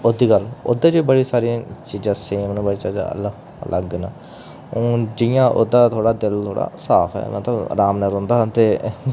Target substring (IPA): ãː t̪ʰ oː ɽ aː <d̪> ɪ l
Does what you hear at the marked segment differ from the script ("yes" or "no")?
no